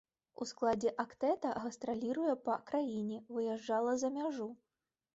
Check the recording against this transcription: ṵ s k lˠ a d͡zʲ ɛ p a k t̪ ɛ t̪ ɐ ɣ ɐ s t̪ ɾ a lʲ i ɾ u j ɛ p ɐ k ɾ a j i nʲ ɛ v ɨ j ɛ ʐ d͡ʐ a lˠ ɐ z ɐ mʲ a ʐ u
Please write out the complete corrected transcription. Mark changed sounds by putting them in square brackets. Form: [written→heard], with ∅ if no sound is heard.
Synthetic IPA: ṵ s k lˠ a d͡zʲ ɛ [p→ʔ] a k t̪ ɛ t̪ ɐ ɣ ɐ s t̪ ɾ a lʲ i ɾ u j ɛ p ɐ k ɾ a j i nʲ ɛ v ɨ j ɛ ʐ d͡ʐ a lˠ ɐ z ɐ mʲ a ʐ u